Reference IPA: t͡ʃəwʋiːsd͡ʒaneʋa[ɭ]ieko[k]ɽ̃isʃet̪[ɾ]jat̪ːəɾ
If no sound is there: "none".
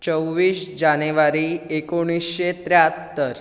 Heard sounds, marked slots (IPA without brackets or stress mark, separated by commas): ɾ, none, ɾ